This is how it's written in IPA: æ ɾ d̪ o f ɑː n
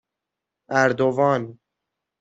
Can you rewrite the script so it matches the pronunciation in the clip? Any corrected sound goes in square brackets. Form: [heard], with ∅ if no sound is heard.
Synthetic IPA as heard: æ ɾ d̪ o [v] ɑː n